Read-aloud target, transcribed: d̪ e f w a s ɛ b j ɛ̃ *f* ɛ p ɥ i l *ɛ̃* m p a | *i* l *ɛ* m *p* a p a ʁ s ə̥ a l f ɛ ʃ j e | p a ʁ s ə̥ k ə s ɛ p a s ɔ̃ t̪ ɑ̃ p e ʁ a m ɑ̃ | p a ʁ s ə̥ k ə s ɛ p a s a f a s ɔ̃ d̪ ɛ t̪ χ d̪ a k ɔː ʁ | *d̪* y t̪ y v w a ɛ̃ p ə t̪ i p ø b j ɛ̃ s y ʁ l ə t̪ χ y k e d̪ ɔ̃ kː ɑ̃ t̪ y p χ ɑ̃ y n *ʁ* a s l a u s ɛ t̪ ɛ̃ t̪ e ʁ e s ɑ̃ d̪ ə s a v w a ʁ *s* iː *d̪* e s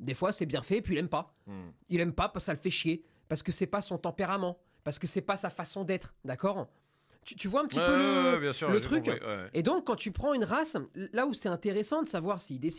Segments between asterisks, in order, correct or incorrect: correct, incorrect: ɛ, correct, correct, correct, incorrect: t̪, correct, correct, correct

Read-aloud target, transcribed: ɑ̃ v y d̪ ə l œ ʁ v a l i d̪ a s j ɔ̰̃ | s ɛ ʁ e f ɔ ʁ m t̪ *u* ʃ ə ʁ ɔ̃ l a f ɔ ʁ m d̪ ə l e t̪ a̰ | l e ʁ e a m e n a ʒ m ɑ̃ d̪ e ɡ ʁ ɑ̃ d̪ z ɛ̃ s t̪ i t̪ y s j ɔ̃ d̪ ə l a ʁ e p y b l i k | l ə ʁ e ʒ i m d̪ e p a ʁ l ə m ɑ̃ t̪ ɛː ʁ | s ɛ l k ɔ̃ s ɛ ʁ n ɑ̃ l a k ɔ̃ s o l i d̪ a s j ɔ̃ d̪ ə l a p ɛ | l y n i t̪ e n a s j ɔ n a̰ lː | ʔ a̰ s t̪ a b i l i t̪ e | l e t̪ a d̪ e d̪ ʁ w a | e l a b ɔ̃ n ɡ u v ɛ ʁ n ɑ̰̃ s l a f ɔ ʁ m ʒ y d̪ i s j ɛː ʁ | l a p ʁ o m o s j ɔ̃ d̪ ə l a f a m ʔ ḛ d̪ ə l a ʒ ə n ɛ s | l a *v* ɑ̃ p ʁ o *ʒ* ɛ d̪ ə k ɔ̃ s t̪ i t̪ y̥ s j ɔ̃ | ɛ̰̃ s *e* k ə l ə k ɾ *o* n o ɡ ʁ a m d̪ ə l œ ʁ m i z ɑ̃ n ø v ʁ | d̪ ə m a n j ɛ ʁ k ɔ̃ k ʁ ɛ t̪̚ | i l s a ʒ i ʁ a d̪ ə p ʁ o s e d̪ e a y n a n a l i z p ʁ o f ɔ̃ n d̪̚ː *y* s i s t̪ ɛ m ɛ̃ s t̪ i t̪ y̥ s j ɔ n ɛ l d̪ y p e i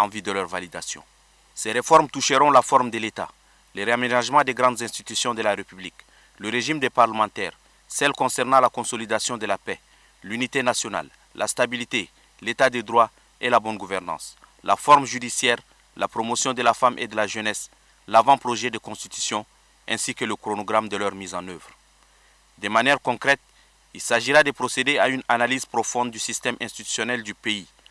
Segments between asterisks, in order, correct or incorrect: correct, correct, correct, incorrect: i, correct, correct

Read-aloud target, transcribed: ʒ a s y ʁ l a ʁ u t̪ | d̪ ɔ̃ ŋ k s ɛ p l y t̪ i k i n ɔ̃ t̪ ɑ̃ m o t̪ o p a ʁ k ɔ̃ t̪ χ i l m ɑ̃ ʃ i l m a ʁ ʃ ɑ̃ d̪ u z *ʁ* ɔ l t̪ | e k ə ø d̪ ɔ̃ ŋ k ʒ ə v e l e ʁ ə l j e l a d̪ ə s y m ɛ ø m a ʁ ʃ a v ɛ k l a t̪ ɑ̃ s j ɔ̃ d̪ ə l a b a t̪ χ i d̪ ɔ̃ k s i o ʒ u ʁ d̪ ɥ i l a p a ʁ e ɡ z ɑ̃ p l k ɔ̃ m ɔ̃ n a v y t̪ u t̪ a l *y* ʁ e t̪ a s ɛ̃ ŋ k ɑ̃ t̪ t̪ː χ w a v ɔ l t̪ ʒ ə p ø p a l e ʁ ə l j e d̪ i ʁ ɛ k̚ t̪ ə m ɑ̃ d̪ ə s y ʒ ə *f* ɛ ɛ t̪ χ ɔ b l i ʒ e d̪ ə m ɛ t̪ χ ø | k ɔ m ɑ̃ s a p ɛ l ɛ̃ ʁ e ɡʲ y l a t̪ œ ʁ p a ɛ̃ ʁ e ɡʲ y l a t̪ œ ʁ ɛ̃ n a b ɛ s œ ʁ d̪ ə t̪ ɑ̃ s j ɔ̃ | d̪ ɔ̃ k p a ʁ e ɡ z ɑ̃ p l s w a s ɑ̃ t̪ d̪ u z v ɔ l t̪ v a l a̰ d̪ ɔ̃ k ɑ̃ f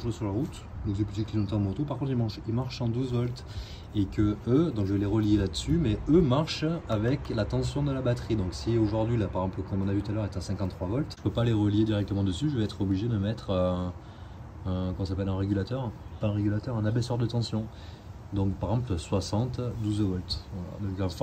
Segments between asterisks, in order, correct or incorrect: incorrect: v, incorrect: œ, incorrect: v

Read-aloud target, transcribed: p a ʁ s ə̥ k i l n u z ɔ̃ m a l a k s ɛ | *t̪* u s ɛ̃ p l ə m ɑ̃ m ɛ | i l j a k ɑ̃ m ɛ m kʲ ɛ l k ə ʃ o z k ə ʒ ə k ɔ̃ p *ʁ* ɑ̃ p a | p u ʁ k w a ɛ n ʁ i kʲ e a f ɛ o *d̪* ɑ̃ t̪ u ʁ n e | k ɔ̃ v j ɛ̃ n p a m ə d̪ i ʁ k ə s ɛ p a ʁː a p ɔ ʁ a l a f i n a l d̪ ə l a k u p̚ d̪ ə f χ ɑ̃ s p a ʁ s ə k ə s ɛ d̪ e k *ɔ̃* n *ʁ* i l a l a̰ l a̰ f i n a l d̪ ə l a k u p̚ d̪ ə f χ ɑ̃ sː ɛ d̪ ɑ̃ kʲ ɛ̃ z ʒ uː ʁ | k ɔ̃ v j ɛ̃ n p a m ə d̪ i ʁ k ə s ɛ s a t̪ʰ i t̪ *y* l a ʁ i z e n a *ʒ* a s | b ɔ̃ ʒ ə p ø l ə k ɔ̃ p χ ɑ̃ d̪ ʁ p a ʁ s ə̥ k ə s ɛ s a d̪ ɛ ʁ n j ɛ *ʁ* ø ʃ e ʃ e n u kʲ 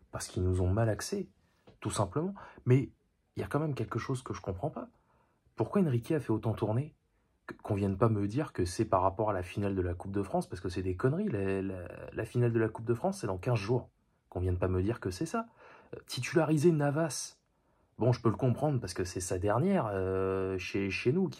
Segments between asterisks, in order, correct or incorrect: correct, incorrect: χ, incorrect: t̪, incorrect: ɔ, correct, correct, incorrect: v, correct

